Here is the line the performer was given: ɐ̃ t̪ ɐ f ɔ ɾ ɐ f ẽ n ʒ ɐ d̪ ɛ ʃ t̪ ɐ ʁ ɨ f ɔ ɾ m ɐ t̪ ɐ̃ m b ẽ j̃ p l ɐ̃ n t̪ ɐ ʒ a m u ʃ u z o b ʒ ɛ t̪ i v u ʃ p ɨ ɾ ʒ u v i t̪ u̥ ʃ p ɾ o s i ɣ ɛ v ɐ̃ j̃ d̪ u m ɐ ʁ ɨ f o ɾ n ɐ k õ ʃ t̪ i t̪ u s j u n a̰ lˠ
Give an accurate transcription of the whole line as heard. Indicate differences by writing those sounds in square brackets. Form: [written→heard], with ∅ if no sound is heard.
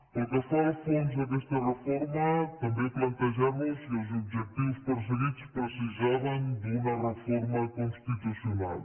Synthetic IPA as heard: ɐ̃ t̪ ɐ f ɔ ɾ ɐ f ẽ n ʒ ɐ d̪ ɛ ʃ t̪ ɐ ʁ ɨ f ɔ ɾ m ɐ t̪ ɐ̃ m b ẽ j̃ p l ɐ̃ n t̪ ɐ ʒ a m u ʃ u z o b ʒ ɛ t̪ i v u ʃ p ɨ ɾ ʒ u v i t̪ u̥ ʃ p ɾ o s i [ɣ→ʒ] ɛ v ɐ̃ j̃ d̪ u m ɐ ʁ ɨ f [o→ɔ] ɾ [n→m] ɐ k õ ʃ t̪ i t̪ u s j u n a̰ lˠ